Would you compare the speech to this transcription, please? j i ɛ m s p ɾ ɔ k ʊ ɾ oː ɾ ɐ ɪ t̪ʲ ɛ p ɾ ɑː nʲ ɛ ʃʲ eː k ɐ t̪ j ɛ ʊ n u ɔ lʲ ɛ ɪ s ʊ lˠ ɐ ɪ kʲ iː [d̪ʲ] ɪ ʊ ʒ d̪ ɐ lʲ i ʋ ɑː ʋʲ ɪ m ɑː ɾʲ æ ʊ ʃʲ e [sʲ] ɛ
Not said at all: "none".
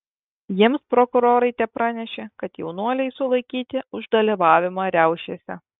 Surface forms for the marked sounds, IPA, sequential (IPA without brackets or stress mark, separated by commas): t̪ʲ, sʲ